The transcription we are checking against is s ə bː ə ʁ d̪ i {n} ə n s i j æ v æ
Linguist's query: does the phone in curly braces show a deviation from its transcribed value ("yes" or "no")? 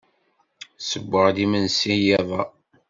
yes